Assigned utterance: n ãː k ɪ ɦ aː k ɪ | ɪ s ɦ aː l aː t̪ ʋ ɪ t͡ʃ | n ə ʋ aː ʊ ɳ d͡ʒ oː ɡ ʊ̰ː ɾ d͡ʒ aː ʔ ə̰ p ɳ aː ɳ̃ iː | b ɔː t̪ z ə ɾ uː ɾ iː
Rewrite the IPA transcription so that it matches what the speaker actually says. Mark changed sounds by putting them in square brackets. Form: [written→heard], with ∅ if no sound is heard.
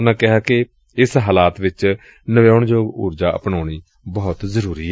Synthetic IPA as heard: n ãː k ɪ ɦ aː k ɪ | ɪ s ɦ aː l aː t̪ ʋ ɪ t͡ʃ | n ə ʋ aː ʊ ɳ d͡ʒ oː ɡ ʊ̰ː ɾ d͡ʒ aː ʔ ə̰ p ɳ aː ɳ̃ iː | b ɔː t̪ z ə ɾ uː ɾ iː